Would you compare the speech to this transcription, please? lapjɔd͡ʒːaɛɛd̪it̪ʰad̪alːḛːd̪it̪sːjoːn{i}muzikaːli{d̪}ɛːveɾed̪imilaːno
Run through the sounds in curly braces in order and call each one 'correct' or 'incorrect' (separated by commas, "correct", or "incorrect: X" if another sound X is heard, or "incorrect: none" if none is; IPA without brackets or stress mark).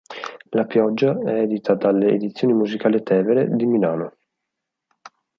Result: correct, incorrect: t̪